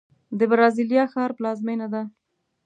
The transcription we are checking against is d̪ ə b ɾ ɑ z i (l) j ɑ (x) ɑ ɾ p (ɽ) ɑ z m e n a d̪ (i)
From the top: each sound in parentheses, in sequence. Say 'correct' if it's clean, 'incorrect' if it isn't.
correct, correct, incorrect, incorrect

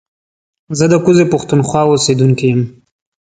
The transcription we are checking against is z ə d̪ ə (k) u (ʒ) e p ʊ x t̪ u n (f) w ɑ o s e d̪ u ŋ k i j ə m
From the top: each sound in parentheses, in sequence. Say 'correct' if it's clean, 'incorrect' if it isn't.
correct, incorrect, incorrect

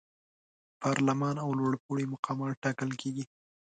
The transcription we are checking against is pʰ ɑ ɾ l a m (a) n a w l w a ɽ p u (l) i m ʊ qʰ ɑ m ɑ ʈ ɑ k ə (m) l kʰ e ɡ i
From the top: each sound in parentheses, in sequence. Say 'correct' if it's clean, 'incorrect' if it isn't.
incorrect, incorrect, incorrect

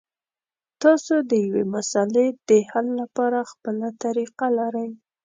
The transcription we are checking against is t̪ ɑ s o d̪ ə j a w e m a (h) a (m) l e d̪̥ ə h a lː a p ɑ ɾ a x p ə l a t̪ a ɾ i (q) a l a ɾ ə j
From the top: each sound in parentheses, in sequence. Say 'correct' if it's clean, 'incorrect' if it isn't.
incorrect, incorrect, correct

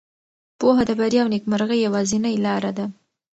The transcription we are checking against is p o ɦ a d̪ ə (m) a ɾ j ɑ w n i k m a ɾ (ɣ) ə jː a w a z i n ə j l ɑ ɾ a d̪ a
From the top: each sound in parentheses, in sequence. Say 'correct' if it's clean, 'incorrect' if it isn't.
incorrect, correct

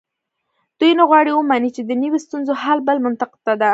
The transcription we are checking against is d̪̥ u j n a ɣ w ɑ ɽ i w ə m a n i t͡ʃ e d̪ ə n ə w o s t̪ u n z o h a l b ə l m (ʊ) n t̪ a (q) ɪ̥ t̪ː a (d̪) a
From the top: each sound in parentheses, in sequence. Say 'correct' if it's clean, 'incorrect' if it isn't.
correct, correct, correct

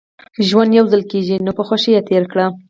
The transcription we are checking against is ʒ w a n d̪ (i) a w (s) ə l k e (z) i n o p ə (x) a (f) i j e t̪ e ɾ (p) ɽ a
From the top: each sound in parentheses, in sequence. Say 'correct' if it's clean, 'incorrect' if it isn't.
incorrect, incorrect, incorrect, correct, incorrect, incorrect

